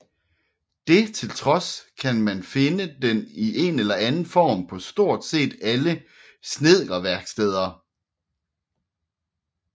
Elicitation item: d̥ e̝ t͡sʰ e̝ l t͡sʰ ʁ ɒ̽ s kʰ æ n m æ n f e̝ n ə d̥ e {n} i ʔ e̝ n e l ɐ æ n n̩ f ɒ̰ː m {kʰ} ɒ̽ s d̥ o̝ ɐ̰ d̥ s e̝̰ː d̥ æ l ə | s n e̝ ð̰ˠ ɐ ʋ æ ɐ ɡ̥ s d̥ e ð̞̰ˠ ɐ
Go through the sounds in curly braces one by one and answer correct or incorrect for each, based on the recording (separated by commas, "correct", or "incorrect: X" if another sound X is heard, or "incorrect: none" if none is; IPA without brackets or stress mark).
correct, incorrect: pʰ